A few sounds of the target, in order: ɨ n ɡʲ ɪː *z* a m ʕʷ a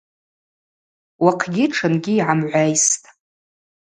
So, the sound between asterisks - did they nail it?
no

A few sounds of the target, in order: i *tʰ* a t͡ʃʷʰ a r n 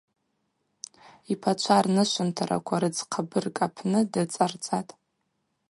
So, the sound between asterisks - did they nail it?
no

